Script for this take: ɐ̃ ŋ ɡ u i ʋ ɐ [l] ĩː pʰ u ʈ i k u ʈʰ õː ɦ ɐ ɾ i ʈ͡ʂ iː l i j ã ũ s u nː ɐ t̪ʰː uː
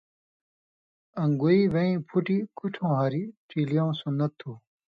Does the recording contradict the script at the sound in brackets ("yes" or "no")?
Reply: yes